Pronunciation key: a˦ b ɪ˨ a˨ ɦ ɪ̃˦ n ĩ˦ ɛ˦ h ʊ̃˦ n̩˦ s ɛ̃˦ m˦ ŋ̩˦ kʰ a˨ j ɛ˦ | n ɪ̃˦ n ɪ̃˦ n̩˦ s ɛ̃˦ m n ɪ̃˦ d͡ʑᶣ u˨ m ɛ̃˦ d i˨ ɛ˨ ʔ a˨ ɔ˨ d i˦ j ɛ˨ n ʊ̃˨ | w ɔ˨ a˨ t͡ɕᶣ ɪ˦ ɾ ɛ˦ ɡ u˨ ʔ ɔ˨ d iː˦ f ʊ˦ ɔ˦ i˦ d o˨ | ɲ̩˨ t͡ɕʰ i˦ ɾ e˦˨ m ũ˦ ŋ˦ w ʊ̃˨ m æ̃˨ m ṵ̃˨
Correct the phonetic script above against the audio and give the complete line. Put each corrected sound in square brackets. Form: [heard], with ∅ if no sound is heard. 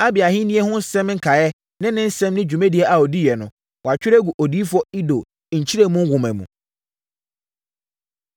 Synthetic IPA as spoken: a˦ b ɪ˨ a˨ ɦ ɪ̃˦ n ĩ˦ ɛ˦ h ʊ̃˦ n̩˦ s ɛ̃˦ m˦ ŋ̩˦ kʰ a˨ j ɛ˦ | n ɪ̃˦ n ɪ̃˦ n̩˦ s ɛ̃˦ m n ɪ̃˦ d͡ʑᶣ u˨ m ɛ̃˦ d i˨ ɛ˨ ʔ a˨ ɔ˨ d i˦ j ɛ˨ n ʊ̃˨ | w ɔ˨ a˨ t͡ɕᶣ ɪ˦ ɾ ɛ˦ ɡ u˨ ʔ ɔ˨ d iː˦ f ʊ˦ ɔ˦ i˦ d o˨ | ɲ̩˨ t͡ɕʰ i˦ ɾ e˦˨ m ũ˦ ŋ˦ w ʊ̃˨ m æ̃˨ m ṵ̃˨